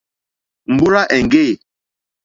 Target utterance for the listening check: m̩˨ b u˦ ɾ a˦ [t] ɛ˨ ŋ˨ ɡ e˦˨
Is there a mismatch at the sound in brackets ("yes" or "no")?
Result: yes